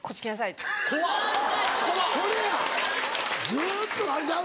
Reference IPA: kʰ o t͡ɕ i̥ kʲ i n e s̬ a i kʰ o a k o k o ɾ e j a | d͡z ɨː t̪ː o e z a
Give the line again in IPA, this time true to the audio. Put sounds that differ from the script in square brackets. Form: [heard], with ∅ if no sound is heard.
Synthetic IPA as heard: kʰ o t͡ɕ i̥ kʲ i n [a] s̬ a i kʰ o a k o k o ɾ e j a | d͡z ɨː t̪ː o [a] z a